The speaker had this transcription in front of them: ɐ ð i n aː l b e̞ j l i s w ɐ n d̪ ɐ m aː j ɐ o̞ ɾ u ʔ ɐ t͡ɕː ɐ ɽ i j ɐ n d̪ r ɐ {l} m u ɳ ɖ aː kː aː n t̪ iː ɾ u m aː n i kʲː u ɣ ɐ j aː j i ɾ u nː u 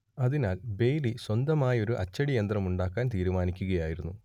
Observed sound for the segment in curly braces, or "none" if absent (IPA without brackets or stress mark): none